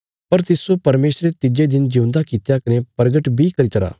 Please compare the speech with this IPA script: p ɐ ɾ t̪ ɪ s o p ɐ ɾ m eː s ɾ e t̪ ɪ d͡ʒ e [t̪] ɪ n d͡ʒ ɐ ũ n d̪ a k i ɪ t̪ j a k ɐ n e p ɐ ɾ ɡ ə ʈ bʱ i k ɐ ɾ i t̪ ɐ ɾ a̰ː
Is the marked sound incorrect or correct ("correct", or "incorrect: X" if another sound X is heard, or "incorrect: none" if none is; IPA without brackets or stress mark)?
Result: incorrect: d̪